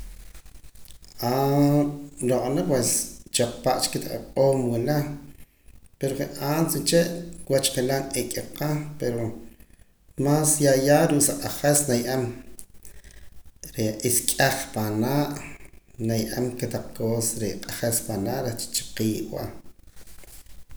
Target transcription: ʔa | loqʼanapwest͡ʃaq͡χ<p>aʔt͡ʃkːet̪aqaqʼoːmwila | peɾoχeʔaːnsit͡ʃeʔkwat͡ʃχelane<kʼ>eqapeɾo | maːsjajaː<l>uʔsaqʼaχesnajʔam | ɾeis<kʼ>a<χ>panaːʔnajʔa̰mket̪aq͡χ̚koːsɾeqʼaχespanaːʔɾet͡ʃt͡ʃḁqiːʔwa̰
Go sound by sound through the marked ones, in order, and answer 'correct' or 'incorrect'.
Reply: correct, correct, incorrect: ɾ, correct, correct

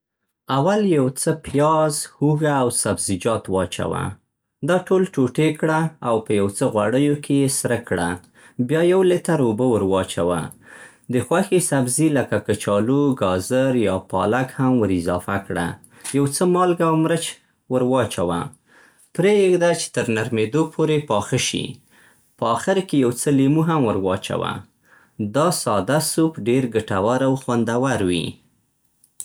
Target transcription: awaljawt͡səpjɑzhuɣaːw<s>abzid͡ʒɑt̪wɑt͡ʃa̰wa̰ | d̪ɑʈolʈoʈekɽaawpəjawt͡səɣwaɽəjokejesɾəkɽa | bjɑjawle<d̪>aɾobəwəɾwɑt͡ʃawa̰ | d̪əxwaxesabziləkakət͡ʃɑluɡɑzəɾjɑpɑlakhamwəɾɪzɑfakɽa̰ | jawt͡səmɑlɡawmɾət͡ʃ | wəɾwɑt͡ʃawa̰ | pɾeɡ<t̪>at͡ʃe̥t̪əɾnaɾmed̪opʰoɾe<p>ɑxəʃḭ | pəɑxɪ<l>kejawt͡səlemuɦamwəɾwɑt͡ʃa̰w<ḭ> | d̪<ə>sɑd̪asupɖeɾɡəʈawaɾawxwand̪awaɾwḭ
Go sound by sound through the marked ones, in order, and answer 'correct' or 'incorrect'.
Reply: correct, incorrect: t̪, incorrect: d̪, correct, incorrect: ɾ, incorrect: a̰, incorrect: ɑ

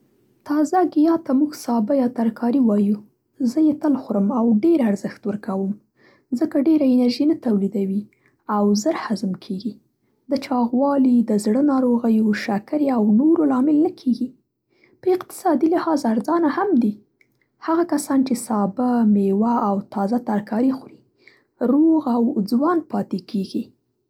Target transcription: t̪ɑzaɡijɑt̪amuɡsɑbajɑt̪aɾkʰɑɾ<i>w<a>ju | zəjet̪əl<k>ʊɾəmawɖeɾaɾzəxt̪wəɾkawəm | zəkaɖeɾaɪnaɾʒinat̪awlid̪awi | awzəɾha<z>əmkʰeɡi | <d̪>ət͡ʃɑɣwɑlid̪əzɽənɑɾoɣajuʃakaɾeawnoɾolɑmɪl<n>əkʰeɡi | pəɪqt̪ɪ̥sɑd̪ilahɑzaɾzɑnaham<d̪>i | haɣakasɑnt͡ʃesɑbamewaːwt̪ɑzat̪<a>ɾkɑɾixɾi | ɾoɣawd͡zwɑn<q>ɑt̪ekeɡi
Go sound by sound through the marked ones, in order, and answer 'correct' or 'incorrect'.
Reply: correct, incorrect: ɑ, incorrect: x, correct, correct, correct, correct, correct, incorrect: p

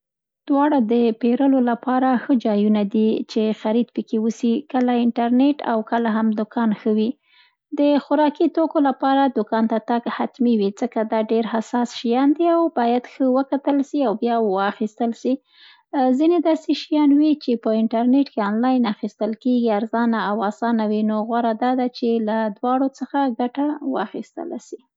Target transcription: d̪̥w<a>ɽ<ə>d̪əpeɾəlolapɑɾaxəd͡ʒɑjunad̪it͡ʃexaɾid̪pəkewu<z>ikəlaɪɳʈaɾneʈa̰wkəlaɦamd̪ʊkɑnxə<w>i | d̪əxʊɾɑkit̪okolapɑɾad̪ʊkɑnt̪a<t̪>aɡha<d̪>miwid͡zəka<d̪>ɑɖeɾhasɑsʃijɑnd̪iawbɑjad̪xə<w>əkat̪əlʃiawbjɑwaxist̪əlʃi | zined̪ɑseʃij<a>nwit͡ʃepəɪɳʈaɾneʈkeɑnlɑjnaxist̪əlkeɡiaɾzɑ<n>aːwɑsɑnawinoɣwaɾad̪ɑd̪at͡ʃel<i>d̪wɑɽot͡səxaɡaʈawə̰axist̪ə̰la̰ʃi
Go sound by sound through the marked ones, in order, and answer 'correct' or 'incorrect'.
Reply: incorrect: ɑ, incorrect: a, incorrect: s, correct, correct, incorrect: t̪, correct, correct, incorrect: ɑ, correct, incorrect: a

